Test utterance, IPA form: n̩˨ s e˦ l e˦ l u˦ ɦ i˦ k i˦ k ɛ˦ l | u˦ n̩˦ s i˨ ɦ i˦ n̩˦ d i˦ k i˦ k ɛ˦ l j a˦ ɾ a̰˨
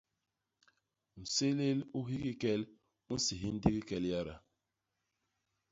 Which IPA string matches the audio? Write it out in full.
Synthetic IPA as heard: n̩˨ s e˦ l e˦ l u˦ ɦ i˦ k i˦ k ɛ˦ l | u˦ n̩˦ s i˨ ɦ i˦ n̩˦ d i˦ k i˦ k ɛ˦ l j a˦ ɾ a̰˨

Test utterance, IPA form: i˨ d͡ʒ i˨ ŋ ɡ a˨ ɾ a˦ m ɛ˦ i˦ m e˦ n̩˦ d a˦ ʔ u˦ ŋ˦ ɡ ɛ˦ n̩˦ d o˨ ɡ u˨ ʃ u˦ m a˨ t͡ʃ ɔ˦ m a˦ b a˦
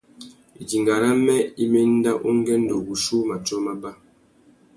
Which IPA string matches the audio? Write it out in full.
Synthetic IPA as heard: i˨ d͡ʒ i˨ ŋ ɡ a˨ ɾ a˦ m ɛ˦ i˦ m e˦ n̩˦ d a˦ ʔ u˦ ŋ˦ ɡ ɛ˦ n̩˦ d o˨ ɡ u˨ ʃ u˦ m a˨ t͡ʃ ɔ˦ m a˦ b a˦

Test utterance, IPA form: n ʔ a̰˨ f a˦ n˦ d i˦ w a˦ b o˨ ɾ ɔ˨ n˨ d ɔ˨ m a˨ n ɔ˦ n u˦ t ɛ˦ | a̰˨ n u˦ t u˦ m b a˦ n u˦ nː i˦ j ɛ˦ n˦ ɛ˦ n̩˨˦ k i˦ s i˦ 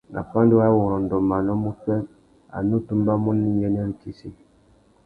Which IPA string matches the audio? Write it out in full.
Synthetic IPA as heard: n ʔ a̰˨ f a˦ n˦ d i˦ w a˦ w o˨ ɾ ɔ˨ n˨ d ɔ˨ m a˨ n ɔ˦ m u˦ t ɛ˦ | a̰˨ n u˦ t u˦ m b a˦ m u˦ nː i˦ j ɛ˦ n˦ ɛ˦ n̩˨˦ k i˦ s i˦

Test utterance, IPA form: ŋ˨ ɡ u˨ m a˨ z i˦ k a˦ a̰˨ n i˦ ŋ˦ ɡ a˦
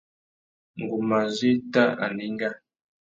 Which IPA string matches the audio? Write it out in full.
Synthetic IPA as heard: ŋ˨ ɡ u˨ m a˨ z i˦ t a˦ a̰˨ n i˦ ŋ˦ ɡ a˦

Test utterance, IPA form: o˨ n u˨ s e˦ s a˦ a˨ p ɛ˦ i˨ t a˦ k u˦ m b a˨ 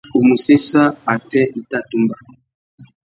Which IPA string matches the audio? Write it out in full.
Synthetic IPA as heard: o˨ m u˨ s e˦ s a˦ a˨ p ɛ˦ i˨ t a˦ t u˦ m b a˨

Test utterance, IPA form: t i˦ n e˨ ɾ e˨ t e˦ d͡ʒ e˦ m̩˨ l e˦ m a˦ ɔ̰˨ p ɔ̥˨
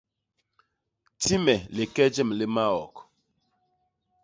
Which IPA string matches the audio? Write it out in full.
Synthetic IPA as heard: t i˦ m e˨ l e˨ k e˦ d͡ʒ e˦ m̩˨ l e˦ m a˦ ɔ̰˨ k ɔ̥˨

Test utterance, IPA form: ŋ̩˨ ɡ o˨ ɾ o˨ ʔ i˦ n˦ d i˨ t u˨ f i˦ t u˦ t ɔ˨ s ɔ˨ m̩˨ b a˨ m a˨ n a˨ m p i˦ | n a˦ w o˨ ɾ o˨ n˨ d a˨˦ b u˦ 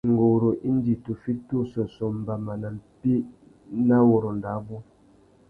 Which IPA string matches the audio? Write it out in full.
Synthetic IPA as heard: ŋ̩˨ ɡ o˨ ɾ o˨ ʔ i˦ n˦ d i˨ t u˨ f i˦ t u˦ s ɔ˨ s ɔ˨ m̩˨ b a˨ m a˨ n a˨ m p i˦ | n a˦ w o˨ ɾ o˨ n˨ d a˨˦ b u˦

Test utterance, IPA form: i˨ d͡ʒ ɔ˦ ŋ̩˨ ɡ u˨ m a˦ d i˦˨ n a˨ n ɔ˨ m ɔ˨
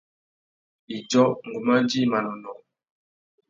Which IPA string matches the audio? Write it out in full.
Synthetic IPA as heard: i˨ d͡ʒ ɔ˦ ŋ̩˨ ɡ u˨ m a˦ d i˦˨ m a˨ n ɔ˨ n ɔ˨

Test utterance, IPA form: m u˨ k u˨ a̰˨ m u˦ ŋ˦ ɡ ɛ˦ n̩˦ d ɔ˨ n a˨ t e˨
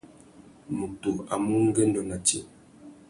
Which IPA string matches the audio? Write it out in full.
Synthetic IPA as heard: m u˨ t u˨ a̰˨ m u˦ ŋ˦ ɡ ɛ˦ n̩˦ d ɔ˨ n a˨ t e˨

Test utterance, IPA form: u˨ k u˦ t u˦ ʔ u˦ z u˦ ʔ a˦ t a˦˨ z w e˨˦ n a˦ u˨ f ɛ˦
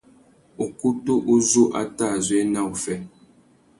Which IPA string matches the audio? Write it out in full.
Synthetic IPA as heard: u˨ k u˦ t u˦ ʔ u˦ z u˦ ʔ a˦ t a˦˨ z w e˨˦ n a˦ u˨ f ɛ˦

